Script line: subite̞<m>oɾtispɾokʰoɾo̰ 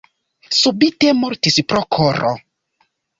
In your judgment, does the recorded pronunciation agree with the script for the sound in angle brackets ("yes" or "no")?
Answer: yes